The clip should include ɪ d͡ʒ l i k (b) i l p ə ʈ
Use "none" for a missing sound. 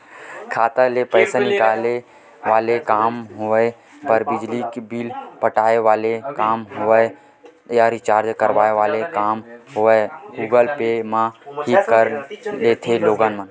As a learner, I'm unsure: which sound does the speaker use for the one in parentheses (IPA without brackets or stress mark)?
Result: b